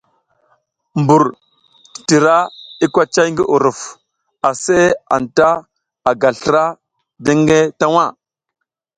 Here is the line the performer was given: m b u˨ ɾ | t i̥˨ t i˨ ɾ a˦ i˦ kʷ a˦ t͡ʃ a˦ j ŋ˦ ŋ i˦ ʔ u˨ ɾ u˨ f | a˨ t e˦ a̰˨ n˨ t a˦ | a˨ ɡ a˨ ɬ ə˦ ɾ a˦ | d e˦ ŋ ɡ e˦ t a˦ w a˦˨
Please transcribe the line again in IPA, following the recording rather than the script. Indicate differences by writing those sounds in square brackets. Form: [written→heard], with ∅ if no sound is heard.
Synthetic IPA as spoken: m b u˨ ɾ | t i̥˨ t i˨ ɾ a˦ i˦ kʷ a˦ t͡ʃ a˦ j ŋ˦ [ŋ→ɡ] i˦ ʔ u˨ ɾ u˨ f | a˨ [t→s] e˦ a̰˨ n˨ t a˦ | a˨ ɡ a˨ ɬ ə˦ ɾ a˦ | d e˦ ŋ ɡ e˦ t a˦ w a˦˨